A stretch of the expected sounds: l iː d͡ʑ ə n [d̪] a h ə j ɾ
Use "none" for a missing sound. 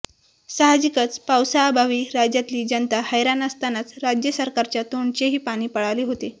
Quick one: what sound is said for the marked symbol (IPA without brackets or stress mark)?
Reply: t̪